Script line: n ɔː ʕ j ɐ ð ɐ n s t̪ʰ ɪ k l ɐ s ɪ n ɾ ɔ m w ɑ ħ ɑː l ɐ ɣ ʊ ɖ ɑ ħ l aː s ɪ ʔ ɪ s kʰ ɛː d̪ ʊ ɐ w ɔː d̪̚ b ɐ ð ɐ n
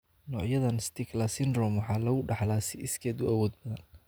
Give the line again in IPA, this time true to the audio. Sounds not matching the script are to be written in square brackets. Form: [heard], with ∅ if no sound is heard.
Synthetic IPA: n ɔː ʕ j ɐ ð ɐ n s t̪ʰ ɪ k l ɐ s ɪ n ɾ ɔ m w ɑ ħ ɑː l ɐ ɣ ʊ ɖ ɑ ħ l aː s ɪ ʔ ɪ s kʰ ɛː d̪ ʊ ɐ w ɔː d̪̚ b ɐ ð ɐ n